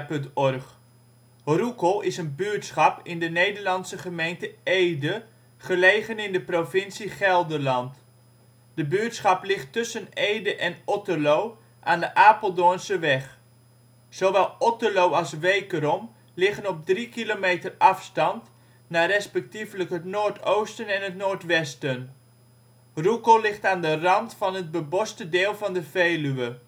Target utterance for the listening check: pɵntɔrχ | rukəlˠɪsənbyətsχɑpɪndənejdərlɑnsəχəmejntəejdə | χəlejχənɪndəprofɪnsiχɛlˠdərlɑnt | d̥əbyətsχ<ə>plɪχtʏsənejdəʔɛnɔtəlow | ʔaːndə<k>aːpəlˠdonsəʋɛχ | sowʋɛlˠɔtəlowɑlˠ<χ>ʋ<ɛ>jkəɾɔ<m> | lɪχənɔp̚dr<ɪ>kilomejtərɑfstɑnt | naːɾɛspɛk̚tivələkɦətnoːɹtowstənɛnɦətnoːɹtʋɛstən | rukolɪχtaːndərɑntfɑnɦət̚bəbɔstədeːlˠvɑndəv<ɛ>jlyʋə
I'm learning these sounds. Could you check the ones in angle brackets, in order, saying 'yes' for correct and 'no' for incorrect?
no, no, no, no, yes, no, no

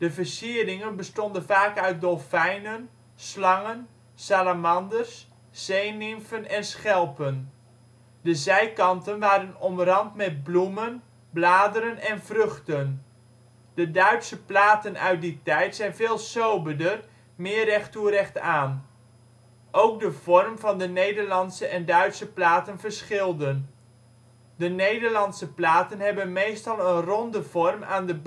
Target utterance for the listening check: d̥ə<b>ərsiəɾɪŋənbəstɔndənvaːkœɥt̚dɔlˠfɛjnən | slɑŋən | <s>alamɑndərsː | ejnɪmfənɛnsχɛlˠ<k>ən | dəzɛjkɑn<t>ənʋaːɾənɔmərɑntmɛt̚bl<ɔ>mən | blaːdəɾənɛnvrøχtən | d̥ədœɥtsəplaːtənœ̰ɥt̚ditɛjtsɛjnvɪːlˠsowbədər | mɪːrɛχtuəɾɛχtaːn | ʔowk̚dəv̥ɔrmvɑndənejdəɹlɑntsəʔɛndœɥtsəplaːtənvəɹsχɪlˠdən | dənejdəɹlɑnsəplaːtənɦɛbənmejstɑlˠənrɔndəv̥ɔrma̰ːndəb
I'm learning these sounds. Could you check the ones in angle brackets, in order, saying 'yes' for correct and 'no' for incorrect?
no, yes, no, yes, no

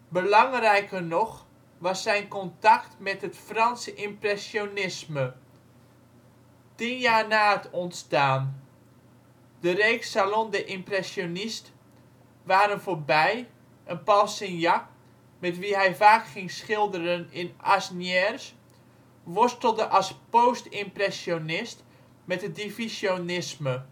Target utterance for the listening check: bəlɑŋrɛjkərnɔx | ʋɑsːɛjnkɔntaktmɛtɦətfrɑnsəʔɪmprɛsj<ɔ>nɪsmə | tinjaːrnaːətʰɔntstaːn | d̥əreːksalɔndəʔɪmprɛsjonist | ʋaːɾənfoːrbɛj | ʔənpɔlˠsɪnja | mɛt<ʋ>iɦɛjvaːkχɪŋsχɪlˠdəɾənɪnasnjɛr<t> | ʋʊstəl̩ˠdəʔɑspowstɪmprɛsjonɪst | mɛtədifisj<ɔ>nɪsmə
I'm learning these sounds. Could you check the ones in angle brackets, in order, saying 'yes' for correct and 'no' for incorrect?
no, yes, no, no

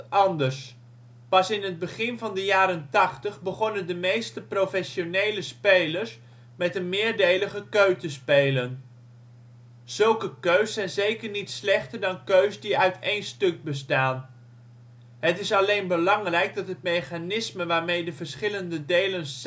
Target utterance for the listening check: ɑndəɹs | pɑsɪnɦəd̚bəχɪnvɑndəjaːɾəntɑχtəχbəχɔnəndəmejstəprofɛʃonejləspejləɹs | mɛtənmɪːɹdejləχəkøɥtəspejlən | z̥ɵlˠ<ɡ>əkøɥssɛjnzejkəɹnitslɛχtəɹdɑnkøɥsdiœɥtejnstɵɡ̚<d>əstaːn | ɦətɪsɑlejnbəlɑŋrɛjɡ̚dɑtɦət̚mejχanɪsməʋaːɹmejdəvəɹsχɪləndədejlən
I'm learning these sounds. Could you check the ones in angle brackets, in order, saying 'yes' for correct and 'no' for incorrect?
no, no

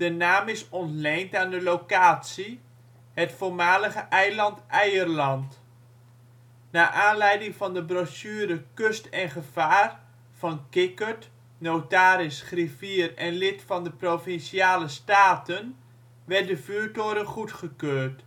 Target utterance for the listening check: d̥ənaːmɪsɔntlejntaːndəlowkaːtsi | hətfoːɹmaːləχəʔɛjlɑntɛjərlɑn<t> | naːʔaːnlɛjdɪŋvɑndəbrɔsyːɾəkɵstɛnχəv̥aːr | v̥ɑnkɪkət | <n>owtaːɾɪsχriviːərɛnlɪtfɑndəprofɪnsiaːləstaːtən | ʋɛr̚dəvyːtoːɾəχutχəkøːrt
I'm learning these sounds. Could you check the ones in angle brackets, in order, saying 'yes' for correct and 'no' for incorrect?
yes, yes

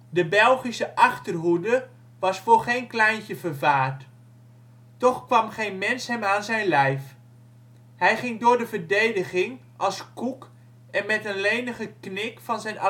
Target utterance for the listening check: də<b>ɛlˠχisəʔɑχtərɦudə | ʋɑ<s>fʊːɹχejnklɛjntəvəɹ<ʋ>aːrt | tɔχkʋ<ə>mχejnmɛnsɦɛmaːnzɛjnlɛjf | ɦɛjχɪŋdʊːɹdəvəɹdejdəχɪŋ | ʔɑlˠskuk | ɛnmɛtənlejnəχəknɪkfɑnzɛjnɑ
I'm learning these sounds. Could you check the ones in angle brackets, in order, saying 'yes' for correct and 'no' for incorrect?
yes, yes, no, no

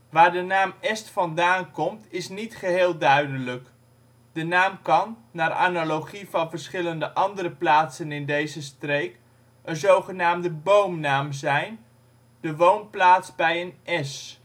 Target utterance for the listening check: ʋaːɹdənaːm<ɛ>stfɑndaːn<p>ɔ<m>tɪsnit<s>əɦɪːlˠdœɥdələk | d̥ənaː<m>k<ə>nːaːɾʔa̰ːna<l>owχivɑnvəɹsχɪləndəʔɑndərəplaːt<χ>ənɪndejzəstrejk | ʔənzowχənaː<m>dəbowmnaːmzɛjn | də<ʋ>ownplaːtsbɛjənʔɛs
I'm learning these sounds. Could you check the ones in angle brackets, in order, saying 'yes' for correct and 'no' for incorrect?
yes, no, yes, no, yes, no, yes, no, yes, yes

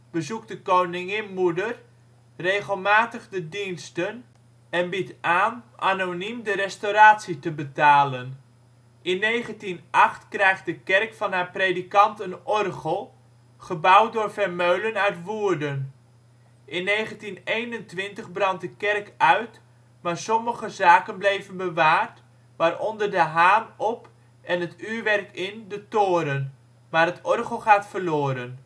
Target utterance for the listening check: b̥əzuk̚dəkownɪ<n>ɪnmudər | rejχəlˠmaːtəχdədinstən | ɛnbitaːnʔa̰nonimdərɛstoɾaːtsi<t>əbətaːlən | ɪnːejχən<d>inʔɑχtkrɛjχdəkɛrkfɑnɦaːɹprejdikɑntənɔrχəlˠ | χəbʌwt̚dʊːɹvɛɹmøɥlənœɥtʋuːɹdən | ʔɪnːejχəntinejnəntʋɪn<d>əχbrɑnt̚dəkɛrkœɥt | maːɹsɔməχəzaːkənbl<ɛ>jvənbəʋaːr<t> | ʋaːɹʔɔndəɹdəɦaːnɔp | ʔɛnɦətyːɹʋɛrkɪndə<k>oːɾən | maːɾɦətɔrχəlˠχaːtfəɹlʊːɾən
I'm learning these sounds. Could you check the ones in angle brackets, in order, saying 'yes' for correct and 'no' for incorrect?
no, yes, no, no, no, yes, no

